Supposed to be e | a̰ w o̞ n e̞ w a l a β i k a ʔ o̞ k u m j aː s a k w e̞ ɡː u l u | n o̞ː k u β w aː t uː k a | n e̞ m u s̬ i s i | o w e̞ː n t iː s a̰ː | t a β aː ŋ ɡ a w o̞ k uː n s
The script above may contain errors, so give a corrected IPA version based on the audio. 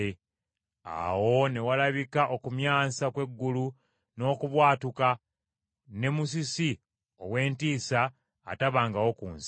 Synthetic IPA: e | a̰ w o̞ n e̞ w a l a β i k a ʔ o̞ k u m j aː s a k w e̞ ɡː u l u | n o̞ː k u β w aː t u k a | n e̞ m u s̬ i s i | o w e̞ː n t iː s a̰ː | t a β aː ŋ ɡ a w o̞ k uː n s